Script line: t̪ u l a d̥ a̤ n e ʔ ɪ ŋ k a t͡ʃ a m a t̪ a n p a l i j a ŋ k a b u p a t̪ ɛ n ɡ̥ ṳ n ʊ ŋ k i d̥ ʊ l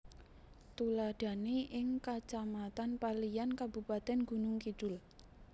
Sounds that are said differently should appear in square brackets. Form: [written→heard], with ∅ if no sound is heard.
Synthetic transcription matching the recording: t̪ u l a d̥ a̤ n e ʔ ɪ ŋ k a t͡ʃ a m a t̪ a n p a l i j a [ŋ→n] k a b u p a t̪ ɛ n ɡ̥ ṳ n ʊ ŋ k i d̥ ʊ l

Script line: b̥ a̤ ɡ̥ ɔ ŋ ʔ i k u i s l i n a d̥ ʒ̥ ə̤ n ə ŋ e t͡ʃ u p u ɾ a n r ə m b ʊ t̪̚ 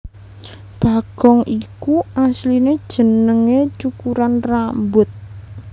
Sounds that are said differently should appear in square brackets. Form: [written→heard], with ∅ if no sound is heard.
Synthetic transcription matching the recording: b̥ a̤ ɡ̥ ɔ ŋ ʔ i k u [i→a] s l i n [a→e] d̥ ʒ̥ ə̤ n ə ŋ e t͡ʃ u [p→k] u ɾ a n r [ə→a] m b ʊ t̪̚

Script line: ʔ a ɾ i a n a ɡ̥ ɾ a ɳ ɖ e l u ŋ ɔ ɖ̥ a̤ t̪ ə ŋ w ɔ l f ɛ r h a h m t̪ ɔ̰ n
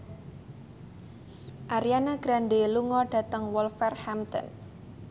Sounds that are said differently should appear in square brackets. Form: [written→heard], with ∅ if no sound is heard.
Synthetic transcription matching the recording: ʔ a ɾ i a n a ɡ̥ ɾ a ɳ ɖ e l u ŋ ɔ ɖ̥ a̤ t̪ ə ŋ w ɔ l f ɛ r h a [h→∅] m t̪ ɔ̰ n

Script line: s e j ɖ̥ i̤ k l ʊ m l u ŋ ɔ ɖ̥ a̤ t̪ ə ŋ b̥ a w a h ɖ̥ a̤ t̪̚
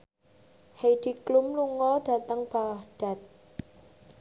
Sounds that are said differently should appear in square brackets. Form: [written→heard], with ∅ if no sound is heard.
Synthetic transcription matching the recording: [s→h] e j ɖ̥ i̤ k l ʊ m l u ŋ ɔ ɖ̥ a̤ t̪ ə ŋ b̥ a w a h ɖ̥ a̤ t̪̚

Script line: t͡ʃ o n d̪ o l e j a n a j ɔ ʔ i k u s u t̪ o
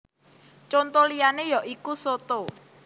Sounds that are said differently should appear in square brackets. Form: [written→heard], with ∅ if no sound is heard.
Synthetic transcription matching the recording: t͡ʃ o n [d̪→t̪] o l [e→i] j a n [a→e] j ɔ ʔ i k u s [u→o] t̪ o

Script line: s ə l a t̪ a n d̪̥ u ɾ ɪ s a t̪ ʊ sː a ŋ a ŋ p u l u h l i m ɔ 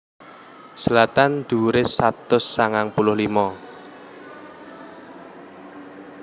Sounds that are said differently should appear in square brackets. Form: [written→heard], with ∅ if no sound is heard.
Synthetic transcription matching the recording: s ə l a t̪ a n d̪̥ u ɾ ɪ s a t̪ ʊ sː a ŋ a ŋ p u l [u→ʊ] h l i m ɔ

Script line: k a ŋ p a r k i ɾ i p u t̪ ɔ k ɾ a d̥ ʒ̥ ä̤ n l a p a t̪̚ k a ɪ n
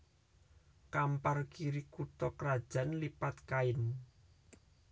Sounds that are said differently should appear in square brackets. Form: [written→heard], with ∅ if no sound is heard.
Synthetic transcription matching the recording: k a [ŋ→m] p a r k i ɾ i [p→k] u t̪ ɔ k ɾ a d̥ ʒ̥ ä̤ n l [a→i] p a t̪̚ k a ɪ n

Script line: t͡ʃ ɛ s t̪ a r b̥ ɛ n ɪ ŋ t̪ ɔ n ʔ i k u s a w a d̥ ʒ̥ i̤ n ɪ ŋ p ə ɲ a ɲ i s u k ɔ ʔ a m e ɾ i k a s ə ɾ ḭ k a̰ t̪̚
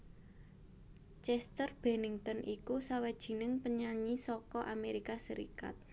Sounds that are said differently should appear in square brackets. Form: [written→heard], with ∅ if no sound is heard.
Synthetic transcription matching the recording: t͡ʃ ɛ s t̪ [a→ə] r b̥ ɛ n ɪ ŋ t̪ ɔ n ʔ i k u s a w a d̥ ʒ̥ i̤ n ɪ ŋ p ə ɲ a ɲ i s [u→ɔ] k ɔ ʔ a m e ɾ i k a s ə ɾ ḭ k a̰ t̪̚

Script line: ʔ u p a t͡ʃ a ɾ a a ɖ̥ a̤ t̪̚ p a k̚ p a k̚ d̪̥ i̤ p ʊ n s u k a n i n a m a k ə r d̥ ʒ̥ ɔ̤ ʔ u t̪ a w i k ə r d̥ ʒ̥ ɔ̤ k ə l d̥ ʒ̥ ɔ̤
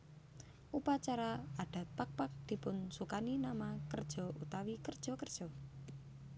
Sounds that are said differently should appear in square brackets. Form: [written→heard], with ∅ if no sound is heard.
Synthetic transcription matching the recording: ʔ u p a t͡ʃ a ɾ a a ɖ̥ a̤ t̪̚ p a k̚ p a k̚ d̪̥ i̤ p ʊ n s u k a n i n a m a k ə r d̥ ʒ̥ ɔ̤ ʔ u t̪ a w i k ə r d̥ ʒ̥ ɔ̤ k ə [l→r] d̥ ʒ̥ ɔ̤

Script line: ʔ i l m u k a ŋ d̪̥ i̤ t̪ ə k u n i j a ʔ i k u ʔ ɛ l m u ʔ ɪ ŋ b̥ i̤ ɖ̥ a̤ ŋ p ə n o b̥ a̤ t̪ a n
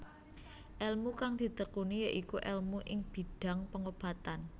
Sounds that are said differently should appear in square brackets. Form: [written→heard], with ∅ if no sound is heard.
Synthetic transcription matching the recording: ʔ [i→ɛ] l m u k a ŋ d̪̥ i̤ t̪ ə k u n i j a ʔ i k u ʔ ɛ l m u ʔ ɪ ŋ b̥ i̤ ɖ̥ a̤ ŋ p ə [n→ŋ] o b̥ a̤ t̪ a n

